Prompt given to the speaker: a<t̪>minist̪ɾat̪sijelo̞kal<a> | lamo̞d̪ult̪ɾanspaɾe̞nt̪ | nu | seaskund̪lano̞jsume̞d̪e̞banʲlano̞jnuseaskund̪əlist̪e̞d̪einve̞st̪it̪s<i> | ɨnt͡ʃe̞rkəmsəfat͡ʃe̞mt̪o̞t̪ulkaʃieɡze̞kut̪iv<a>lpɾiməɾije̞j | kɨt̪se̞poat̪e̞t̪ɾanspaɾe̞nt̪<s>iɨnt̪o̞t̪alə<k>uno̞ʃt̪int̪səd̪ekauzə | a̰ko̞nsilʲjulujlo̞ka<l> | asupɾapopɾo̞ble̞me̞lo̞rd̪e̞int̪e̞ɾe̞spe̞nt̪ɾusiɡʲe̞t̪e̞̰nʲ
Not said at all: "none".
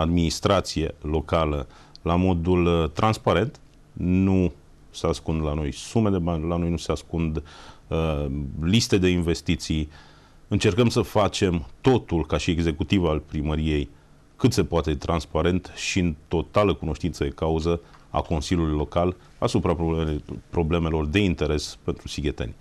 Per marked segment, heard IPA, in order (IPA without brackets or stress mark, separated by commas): d̪, ə, i, a, ʃ, k, l